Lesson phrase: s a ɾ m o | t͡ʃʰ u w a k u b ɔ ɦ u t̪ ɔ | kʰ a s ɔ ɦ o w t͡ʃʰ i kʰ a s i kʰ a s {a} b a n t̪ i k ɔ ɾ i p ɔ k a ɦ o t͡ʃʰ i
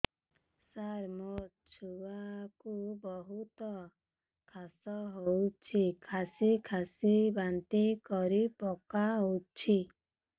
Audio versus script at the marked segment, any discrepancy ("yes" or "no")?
yes